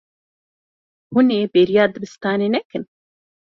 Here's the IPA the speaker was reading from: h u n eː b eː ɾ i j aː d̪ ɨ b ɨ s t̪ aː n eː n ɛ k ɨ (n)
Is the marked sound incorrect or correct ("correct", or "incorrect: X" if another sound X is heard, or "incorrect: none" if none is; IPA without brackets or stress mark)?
correct